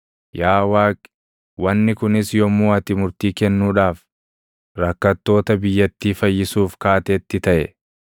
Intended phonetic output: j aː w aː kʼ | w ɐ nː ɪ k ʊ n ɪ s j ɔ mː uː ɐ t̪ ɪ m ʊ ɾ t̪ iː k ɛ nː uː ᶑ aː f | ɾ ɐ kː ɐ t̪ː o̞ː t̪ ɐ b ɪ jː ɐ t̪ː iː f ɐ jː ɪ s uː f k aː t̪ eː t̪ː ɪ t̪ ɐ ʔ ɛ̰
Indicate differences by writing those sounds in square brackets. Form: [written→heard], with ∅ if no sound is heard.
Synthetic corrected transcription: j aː w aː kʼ | w ɐ nː ɪ k ʊ n ɪ s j ɔ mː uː ɐ t̪ ɪ m ʊ ɾ t̪ iː k ɛ nː uː ᶑ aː f | ɾ ɐ kː ɐ t̪ː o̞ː t̪ ɐ b ɪ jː ɐ t̪ː iː f ɐ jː ɪ s uː f k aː t̪ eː t̪ː ɪ t̪ ɐ ʔ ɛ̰